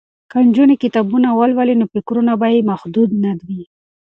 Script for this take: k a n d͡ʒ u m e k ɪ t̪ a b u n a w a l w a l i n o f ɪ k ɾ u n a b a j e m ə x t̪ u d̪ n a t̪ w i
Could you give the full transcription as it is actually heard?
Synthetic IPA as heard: k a n d͡ʒ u n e k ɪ t̪ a b u n a w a l w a l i n o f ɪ k ɾ u n a b a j e m a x d̪ u d̪ n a d̪ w i